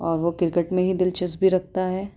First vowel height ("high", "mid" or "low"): mid